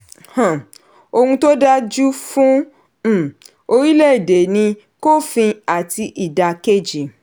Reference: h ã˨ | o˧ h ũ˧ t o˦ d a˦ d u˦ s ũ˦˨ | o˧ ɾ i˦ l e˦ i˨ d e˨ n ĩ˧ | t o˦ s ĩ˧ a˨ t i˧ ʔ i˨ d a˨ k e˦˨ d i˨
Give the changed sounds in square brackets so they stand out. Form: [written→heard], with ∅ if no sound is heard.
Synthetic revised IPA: h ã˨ | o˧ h ũ˧ t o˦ d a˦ [d→d͡ʒ] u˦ [s→f] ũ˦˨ | o˧ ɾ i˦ l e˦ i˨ d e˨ n ĩ˧ | [t→k] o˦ [s→f] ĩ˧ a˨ t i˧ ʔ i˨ d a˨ k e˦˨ [d→d͡ʒ] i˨